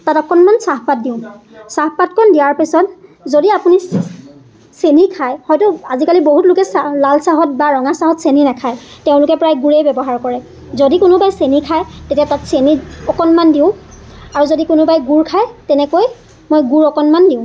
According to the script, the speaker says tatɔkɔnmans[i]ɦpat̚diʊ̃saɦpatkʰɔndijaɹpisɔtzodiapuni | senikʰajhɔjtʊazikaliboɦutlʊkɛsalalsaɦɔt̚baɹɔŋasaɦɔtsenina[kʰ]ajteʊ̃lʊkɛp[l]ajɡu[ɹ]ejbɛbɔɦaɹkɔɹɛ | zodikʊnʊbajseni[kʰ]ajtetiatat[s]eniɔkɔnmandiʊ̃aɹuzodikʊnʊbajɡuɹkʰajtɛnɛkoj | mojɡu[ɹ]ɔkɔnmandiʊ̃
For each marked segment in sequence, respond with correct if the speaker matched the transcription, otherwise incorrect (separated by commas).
incorrect, correct, incorrect, correct, correct, correct, correct